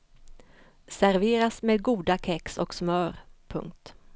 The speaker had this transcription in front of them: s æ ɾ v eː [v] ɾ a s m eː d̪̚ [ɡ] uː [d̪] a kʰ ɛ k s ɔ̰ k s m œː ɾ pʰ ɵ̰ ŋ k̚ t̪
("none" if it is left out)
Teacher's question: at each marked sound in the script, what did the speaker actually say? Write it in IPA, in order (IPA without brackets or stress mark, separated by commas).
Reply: none, ɡ, d̪